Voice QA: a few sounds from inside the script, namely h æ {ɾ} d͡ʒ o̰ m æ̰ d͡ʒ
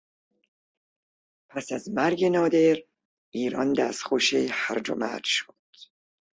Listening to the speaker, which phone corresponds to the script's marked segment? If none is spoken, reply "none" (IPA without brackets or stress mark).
ɾ